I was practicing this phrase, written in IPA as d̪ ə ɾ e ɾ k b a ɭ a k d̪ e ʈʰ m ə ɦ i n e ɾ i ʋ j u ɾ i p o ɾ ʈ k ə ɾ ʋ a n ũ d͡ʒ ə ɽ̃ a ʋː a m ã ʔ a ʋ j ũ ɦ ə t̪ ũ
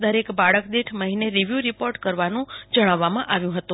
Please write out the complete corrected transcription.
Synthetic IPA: d̪ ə ɾ e k b a ɭ ə k d̪ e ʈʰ m ə ɦ i n e ɾ i ʋ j u ɾ i p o ɾ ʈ k ə ɾ ʋ a n ũ d͡ʒ ə ɽ̃ a ʋː a m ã ʔ a ʋ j ũ ɦ ə t̪ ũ

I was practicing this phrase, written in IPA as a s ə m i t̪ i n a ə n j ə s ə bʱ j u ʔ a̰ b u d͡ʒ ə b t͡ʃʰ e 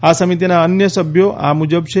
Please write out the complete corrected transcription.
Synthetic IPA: a s ə m i t̪ i n a ə n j ə s ə bʱ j o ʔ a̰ m u d͡ʒ ə b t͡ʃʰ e

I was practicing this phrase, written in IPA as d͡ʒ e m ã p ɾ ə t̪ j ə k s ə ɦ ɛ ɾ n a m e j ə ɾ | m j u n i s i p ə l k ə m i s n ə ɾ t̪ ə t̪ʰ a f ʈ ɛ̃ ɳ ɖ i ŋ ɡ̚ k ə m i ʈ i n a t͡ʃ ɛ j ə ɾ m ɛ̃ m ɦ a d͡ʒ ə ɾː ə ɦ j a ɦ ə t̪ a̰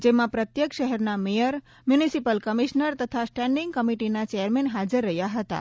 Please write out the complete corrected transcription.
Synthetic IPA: d͡ʒ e m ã p ɾ ə t̪ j ə k ʃ ə ɦ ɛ ɾ n a m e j ə ɾ | m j u n i s i p ə l k ə m i ʃ n ə ɾ t̪ ə t̪ʰ a s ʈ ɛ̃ ɳ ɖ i ŋ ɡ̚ k ə m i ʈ i n a t͡ʃ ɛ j ə ɾ m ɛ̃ n ɦ a d͡ʒ ə ɾː ə ɦ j a ɦ ə t̪ a̰

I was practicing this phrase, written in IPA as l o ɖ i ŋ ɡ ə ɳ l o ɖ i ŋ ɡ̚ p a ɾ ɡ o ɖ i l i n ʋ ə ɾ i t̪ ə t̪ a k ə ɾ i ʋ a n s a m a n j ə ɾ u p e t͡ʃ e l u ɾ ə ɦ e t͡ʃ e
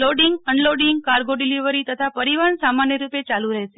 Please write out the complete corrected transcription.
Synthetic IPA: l o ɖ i ŋ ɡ ə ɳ l o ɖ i ŋ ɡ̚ k a ɾ ɡ o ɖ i l i ʋ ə ɾ i t̪ ə t̪ʰ a p ə ɾ i ʋ a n s a m a n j ə ɾ u p e t͡ʃ a l u ɾ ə ɦ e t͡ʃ e

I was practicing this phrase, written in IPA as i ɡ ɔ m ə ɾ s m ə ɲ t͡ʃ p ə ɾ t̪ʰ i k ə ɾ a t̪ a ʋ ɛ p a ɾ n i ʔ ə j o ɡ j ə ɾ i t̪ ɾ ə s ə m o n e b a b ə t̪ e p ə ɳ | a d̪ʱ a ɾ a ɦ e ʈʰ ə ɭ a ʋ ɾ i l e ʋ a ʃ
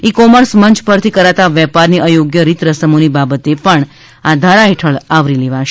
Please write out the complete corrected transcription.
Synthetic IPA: i k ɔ m ə ɾ s m ə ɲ t͡ʃ p ə ɾ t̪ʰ i k ə ɾ a t̪ a ʋ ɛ p a ɾ n i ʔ ə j o ɡ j ə ɾ i t̪ ɾ ə s ə m o n i b a b ə t̪ e p ə ɳ | a d̪ʱ a ɾ a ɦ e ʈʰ ə ɭ a ʋ ɾ i l e ʋ a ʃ

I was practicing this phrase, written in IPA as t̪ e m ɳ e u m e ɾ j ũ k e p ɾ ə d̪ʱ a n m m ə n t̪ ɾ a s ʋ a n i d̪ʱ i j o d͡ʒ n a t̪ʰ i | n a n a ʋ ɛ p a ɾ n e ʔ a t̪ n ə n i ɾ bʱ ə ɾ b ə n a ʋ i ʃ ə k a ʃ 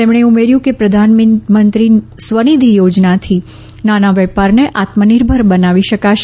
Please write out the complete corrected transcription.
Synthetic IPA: t̪ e m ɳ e u m e ɾ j ũ k e p ɾ ə d̪ʱ a n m m ə n t̪ ɾ i s ʋ ə n i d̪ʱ i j o d͡ʒ n a t̪ʰ i | n a n a ʋ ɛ p a ɾ n e ʔ a t̪ m ə n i ɾ bʱ ə ɾ b ə n a ʋ i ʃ ə k a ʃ

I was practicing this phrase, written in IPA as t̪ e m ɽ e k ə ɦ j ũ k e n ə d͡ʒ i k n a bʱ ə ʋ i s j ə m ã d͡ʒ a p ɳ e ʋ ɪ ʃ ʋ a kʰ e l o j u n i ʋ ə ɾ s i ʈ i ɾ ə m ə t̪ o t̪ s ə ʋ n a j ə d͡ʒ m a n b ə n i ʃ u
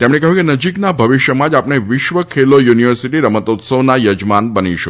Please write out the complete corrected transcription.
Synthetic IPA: t̪ e m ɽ e k ə ɦ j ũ k e n ə d͡ʒ i k n a bʱ ə ʋ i ʃ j ə m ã d͡ʒ a p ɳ e ʋ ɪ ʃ ʋ ə kʰ e l o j u n i ʋ ə ɾ s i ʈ i ɾ ə m ə t̪ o t̪ s ə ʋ n a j ə d͡ʒ m a n b ə n i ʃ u

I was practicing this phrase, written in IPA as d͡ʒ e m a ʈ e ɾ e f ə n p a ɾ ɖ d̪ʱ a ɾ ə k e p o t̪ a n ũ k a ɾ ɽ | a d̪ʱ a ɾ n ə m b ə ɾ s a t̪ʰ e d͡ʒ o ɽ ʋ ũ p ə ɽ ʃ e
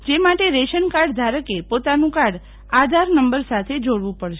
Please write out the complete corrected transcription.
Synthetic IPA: d͡ʒ e m a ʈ e ɾ e ʃ ə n k a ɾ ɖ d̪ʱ a ɾ ə k e p o t̪ a n ũ k a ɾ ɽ | a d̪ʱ a ɾ n ə m b ə ɾ s a t̪ʰ e d͡ʒ o ɽ ʋ ũ p ə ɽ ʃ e

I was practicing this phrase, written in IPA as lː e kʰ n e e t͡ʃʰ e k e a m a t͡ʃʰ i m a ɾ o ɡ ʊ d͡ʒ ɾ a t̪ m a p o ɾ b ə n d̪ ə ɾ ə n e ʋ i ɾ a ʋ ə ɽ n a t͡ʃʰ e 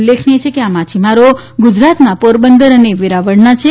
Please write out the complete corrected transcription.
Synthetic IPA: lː e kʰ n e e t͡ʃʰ e k e a m a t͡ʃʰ i m a ɾ o ɡ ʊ d͡ʒ ɾ a t̪ n a p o ɾ b ə n d̪ ə ɾ ə n e ʋ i ɾ a ʋ ə ɽ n a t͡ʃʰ e

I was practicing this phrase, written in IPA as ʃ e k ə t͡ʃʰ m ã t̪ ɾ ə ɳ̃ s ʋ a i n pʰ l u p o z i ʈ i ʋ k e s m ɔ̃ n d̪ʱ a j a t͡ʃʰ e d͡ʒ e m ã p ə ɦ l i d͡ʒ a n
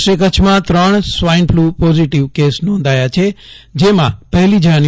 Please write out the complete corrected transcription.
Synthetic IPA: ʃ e k ə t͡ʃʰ m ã t̪ ɾ ə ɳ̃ s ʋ a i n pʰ l u p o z i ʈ i ʋ k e s n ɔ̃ n d̪ʱ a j a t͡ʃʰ e d͡ʒ e m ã p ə ɦ l i d͡ʒ a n

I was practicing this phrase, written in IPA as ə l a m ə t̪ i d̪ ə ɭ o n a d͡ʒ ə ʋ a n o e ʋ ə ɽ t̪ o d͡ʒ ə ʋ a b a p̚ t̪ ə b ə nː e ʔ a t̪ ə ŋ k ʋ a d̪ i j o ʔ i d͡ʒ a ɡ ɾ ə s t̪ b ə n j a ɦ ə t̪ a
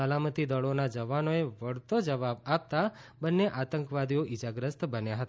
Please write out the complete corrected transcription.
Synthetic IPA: ə l a m ə t̪ i d̪ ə ɭ o n a d͡ʒ ə ʋ a n o e ʋ ə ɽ t̪ o d͡ʒ ə ʋ a b a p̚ t̪ a b ə nː e ʔ a t̪ ə ŋ k ʋ a d̪ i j o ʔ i d͡ʒ a ɡ ɾ ə s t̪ b ə n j a ɦ ə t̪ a

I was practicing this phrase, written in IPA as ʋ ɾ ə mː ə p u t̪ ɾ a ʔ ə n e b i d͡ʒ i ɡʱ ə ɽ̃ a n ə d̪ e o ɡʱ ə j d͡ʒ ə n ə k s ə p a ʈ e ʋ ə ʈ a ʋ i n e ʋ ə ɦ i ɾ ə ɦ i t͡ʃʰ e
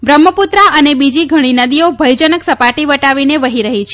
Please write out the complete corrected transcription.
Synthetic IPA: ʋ ɾ ə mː ə p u t̪ ɾ a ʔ ə n e b i d͡ʒ i ɡʱ ə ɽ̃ i n ə d̪ i o bʱ ə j d͡ʒ ə n ə k s ə p a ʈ i ʋ ə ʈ a ʋ i n e ʋ ə ɦ i ɾ ə ɦ i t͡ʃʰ e

